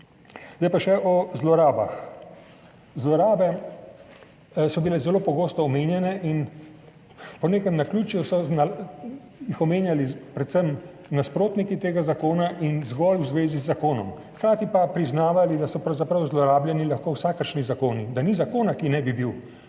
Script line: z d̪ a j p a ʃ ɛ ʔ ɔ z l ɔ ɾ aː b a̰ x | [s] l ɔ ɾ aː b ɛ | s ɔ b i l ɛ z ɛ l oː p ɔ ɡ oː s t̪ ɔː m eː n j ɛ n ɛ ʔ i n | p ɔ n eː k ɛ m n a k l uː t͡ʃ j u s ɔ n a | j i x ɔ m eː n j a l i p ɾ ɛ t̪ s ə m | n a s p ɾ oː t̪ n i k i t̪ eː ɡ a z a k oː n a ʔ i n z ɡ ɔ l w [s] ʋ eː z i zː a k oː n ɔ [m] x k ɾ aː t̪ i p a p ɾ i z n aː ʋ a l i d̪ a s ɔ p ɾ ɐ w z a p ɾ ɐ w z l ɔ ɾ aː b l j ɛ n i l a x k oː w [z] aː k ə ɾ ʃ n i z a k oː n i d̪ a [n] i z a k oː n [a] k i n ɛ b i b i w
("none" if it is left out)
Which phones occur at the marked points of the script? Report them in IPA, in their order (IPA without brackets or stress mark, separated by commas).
z, z, m, s, n, a